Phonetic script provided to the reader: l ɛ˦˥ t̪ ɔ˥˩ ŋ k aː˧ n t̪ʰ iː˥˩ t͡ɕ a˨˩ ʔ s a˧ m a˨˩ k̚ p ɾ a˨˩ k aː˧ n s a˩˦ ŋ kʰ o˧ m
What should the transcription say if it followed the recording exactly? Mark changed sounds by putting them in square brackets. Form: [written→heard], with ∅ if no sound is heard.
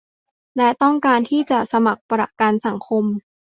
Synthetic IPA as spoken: l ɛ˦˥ t̪ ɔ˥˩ ŋ k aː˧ n t̪ʰ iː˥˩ t͡ɕ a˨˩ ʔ s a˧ m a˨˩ k̚ p ɾ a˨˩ k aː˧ n s a˩˦ ŋ kʰ o˧ m